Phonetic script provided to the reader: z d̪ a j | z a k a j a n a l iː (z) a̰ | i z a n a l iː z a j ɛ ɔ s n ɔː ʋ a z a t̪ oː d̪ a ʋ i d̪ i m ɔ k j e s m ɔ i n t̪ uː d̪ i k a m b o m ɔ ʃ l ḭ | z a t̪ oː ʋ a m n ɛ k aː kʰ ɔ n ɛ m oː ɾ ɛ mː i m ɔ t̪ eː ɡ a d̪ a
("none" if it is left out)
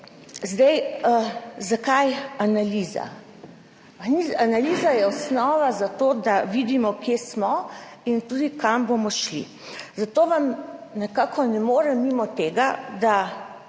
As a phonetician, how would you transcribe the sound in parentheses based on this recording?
z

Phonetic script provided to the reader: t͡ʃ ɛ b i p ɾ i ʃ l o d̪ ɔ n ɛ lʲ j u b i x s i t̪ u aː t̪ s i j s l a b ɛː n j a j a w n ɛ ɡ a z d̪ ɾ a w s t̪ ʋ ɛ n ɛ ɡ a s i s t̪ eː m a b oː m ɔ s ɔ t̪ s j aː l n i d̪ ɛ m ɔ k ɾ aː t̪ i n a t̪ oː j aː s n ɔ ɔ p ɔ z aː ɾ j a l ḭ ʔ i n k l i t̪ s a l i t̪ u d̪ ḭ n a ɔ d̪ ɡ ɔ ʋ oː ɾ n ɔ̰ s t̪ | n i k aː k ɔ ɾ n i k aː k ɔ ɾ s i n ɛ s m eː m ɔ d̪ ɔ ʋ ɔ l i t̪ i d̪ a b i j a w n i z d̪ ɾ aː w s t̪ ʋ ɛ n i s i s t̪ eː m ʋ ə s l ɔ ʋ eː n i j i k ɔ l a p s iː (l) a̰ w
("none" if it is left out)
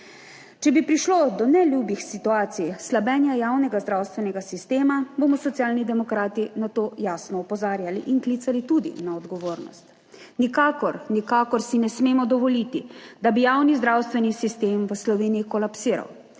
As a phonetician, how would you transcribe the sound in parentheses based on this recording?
ɾ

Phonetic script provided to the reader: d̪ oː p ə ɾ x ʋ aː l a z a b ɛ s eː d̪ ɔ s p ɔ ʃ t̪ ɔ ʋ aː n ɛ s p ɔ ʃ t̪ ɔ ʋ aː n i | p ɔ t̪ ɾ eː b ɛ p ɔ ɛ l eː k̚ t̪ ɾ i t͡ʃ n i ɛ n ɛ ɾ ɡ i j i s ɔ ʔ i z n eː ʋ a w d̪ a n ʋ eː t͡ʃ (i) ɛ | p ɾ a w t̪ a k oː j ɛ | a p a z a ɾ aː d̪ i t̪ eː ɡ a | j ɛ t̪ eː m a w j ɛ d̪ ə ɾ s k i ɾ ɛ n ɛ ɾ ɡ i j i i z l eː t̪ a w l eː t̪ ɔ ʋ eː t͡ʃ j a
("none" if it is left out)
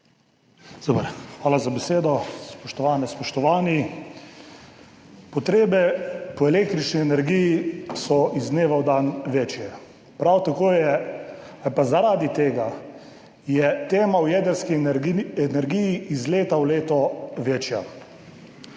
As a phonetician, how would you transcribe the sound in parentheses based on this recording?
j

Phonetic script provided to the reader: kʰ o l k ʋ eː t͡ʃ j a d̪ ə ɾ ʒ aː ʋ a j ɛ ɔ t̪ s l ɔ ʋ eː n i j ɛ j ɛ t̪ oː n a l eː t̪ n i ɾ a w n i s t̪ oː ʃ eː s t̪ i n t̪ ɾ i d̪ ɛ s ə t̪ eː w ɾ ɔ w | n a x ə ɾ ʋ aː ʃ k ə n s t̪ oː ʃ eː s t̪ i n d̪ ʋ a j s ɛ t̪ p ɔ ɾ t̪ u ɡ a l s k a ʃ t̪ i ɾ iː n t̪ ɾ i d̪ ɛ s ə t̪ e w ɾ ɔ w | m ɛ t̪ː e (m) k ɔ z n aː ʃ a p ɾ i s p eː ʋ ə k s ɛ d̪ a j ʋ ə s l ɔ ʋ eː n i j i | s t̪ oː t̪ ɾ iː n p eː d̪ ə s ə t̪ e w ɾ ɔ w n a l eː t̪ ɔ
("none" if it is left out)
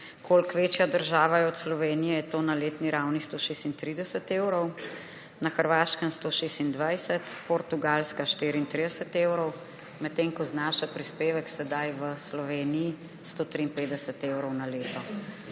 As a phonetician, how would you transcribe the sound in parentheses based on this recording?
ŋ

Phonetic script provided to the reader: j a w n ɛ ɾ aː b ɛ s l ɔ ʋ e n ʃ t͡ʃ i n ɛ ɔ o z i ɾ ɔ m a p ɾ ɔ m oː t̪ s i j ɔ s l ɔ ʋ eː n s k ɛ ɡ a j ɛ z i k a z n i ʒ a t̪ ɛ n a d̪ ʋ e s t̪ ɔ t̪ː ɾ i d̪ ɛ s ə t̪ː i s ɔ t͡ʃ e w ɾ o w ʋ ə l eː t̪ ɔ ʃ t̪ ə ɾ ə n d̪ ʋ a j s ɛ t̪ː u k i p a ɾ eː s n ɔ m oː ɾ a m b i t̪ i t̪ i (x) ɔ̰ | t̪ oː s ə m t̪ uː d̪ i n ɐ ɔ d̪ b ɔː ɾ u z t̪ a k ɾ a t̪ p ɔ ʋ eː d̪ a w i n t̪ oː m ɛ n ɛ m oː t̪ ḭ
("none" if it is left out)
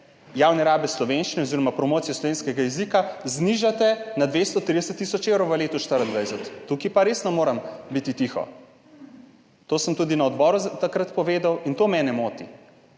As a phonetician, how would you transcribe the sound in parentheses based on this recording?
x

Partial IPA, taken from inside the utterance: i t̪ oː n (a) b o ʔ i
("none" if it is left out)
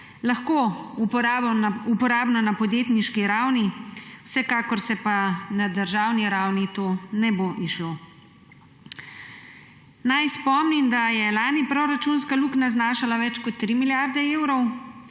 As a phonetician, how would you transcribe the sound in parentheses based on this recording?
ɛ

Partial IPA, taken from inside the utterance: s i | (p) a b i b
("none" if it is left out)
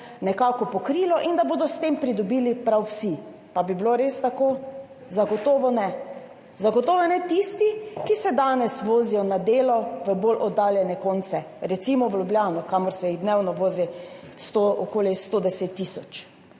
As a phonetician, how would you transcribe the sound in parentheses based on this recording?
p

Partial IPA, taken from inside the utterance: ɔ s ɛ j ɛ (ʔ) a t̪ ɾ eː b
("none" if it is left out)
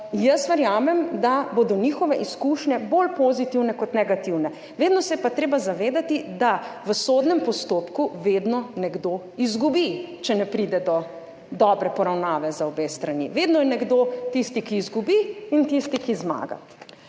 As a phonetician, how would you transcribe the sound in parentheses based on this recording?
p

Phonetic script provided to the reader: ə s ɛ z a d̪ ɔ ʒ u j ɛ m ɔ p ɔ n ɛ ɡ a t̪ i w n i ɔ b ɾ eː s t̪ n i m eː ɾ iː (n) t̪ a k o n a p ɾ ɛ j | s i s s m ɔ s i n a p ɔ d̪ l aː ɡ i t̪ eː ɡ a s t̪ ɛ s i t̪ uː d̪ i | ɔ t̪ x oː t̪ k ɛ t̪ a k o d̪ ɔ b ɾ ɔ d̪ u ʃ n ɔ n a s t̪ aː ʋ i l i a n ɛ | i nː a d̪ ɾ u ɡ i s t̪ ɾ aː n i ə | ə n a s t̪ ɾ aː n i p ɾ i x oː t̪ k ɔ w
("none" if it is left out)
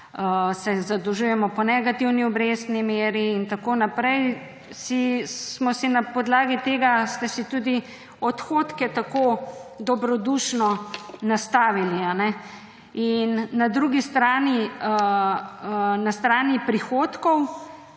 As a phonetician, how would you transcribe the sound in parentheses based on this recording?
n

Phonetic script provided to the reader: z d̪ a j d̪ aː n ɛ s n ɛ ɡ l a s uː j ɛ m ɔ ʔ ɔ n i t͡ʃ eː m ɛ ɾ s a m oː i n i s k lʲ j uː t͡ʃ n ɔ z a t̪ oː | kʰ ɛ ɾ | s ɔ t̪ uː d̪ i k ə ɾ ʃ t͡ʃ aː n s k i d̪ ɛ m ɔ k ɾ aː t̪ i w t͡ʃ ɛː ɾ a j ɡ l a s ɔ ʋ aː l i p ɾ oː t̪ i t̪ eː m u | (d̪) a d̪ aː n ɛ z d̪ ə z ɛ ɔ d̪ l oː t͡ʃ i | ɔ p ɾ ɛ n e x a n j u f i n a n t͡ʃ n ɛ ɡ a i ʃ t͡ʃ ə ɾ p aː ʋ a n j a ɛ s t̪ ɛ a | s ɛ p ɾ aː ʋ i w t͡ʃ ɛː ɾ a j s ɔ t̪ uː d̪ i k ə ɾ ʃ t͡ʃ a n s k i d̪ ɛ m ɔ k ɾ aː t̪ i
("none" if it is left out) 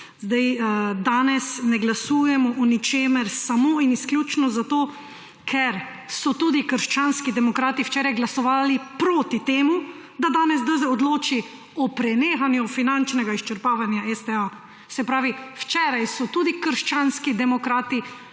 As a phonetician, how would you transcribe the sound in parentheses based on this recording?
d̪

